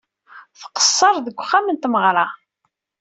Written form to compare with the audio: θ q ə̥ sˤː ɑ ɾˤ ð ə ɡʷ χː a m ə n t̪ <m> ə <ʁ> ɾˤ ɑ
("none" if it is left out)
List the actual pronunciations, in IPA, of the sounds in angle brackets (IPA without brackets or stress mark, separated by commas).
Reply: m, ʁ